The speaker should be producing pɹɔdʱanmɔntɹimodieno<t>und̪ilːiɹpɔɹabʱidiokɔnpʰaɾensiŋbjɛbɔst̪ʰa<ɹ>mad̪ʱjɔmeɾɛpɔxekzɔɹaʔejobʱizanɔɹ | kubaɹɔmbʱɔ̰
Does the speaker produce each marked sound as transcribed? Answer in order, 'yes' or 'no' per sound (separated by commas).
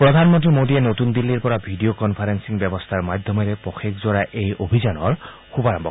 yes, yes